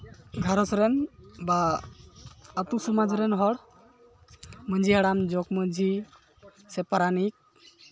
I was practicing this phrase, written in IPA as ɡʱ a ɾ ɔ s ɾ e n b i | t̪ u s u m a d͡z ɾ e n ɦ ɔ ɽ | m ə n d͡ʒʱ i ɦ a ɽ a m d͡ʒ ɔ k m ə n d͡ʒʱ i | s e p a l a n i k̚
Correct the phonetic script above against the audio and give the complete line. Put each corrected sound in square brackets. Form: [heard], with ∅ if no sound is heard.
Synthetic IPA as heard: ɡʱ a ɾ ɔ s ɾ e n b [a] | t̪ u s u m a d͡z ɾ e n ɦ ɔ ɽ | m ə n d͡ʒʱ i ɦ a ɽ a m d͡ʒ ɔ k m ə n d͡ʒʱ i | s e p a [ɾ] a n i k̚

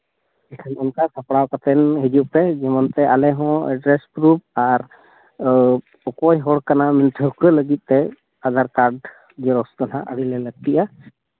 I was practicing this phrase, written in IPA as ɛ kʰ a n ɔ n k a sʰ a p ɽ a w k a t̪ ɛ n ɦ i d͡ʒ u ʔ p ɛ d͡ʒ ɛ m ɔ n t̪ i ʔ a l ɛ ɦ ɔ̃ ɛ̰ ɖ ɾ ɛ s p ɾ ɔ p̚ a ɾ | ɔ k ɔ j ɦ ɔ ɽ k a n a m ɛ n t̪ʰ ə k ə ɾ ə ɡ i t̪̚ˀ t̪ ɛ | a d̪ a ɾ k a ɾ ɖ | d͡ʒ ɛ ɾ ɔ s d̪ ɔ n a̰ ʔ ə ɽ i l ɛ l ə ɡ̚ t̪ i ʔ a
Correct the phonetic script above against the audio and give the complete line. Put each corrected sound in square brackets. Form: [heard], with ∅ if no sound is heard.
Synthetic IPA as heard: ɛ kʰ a n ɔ n k a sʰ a p ɽ a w k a t̪ ɛ n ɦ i d͡ʒ u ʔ p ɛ d͡ʒ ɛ m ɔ n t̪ [ɛ] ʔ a l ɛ ɦ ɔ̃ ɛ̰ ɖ ɾ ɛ s p ɾ [u] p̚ a ɾ | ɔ k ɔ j ɦ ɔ ɽ k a n a m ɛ n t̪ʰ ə k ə [l] ə ɡ i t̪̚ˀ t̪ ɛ | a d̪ a ɾ k a ɾ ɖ | d͡ʒ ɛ ɾ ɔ s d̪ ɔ n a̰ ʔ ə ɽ i l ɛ l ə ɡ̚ t̪ i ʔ a

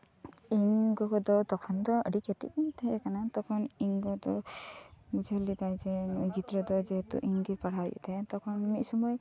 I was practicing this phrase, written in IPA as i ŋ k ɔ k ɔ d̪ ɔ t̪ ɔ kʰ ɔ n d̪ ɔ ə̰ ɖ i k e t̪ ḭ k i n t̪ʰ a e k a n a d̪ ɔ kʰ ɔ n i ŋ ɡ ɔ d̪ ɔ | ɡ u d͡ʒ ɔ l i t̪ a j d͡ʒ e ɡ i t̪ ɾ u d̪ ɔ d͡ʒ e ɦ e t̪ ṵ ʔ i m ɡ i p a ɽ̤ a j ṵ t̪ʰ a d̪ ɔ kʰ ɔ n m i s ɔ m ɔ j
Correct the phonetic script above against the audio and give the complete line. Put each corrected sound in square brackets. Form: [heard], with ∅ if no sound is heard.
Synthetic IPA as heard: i ŋ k ɔ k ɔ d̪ ɔ t̪ ɔ kʰ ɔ n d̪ ɔ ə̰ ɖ i k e t̪ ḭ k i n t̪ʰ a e k a n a [t̪] ɔ kʰ ɔ n i ŋ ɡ ɔ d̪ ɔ | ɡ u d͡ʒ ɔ l i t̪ a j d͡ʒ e ɡ i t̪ ɾ [ɔ] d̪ ɔ d͡ʒ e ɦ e t̪ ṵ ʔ i [ŋ] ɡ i p a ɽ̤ a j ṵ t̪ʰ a [t̪] ɔ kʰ ɔ n m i s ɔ m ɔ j

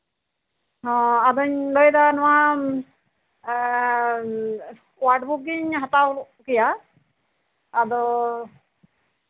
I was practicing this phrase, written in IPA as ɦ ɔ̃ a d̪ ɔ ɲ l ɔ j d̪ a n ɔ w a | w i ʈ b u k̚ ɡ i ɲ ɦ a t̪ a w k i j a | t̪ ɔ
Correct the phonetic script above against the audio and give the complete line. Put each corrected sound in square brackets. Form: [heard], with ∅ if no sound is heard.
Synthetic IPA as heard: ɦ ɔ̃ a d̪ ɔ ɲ l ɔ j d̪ a n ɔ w a | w [a] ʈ b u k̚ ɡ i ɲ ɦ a t̪ a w k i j a | [d̪] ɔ

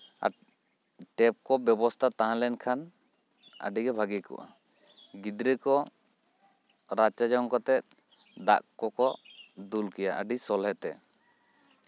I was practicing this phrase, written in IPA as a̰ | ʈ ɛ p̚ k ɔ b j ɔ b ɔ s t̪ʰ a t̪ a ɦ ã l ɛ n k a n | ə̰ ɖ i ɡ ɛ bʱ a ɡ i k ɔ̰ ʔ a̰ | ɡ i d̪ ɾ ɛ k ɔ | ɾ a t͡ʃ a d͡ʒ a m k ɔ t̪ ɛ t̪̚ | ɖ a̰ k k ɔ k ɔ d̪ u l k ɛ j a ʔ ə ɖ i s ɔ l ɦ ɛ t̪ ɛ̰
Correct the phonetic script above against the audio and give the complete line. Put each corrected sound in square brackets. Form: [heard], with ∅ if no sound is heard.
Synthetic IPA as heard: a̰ | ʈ ɛ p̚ k ɔ b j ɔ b ɔ s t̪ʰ a t̪ a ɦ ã l ɛ n [kʰ] a n | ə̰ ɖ i ɡ ɛ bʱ a ɡ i k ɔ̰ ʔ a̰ | ɡ i d̪ ɾ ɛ k ɔ | ɾ a t͡ʃ a d͡ʒ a [ŋ] k ɔ t̪ ɛ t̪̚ | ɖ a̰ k k ɔ k ɔ d̪ u l k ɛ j a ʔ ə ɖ i s ɔ l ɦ ɛ t̪ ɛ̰

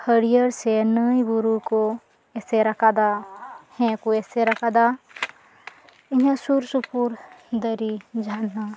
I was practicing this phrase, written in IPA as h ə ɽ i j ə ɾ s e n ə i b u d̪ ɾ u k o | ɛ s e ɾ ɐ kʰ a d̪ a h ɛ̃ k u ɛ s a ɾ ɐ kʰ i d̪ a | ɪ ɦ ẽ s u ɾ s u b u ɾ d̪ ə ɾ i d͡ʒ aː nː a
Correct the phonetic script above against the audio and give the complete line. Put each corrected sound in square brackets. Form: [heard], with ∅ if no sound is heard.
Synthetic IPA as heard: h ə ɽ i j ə ɾ s e n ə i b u [∅] ɾ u k o | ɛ s e ɾ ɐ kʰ a d̪ a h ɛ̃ k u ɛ s [e] ɾ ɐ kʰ [a] d̪ a | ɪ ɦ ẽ s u ɾ s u [p] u ɾ d̪ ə ɾ i d͡ʒ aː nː a

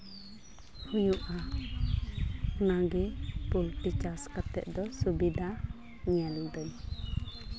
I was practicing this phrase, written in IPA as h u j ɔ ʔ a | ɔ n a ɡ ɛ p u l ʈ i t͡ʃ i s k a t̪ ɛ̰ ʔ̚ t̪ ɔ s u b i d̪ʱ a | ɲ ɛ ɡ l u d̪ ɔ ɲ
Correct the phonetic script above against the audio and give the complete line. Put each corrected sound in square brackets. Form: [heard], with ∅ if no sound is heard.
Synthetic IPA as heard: h u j [u] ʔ a | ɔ n a ɡ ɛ p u l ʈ i t͡ʃ [a] s k a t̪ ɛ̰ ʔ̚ [d̪] ɔ s u b i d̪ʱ a | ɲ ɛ [∅] l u d̪ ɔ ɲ

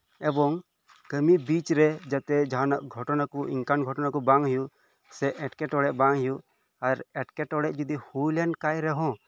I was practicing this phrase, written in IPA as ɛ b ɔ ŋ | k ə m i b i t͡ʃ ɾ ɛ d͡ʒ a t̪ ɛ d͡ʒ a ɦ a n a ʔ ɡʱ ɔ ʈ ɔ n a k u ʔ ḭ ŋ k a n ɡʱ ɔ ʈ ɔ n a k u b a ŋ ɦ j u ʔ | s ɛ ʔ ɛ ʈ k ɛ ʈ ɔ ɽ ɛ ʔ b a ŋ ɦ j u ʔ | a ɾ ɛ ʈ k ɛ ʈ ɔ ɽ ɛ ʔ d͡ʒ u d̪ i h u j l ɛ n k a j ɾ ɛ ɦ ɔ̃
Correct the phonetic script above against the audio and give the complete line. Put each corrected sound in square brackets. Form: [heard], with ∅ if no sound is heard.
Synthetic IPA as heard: ɛ b ɔ ŋ | k ə m i b i t͡ʃ ɾ ɛ d͡ʒ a t̪ ɛ d͡ʒ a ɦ a n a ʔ ɡʱ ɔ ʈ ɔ n a k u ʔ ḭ ŋ k a n ɡʱ ɔ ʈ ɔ n a k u b a ŋ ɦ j u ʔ | s ɛ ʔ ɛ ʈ k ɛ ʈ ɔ ɽ ɛ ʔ b a ŋ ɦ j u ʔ | a ɾ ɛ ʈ k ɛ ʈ ɔ ɽ ɛ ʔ d͡ʒ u d̪ i h u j l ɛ n k a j ɾ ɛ ɦ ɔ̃

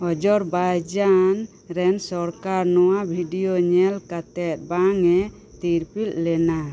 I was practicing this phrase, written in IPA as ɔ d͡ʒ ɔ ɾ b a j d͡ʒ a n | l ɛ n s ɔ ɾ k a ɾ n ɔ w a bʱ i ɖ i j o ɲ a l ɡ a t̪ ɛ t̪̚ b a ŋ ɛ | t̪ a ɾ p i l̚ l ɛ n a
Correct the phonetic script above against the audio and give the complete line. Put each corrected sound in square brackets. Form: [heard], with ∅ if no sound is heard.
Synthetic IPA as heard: ɔ d͡ʒ ɔ ɾ b a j d͡ʒ a n | [ɾ] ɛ n s ɔ ɾ k a ɾ n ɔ w a bʱ i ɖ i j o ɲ [ɛ] l [k] a t̪ ɛ t̪̚ b a ŋ ɛ | t̪ [i] ɾ p i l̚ l ɛ n a

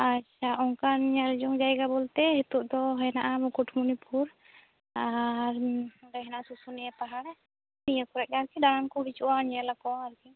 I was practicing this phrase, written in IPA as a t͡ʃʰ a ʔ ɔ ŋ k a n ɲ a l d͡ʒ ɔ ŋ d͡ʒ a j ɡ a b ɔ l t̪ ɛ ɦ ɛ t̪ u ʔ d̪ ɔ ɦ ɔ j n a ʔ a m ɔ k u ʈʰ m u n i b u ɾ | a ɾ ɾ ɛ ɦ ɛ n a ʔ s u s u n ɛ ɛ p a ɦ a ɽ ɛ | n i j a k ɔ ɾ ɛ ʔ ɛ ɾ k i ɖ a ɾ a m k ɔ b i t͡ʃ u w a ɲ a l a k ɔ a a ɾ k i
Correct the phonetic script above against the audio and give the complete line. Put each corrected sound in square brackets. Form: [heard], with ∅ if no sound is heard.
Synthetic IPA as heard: a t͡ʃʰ a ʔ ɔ ŋ k a n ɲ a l d͡ʒ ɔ ŋ d͡ʒ a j ɡ a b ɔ l t̪ ɛ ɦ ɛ t̪ u ʔ d̪ ɔ ɦ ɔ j n a ʔ a m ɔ k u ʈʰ m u n i [p] u ɾ | a ɾ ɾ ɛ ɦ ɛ n a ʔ s u s u n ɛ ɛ p a ɦ a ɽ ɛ | n i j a k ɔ ɾ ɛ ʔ [a] ɾ k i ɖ a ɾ a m k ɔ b i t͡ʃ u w a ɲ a l a k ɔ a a ɾ k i

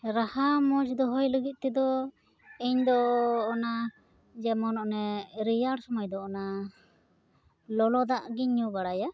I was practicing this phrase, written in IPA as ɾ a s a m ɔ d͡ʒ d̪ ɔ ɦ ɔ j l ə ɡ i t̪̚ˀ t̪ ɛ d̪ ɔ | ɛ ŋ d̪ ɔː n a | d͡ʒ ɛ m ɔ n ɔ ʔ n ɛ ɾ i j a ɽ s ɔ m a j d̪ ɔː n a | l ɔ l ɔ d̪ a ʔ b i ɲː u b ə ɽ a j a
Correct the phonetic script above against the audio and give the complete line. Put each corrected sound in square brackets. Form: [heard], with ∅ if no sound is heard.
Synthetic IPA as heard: ɾ a [h] a m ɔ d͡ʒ d̪ ɔ ɦ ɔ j l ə ɡ i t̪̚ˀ t̪ ɛ d̪ ɔ | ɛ [ɲ] d̪ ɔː n a | d͡ʒ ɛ m ɔ n ɔ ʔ n ɛ ɾ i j a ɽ s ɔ m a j d̪ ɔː n a | l ɔ l ɔ d̪ a ʔ [ɡ] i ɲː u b [a] ɽ a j a

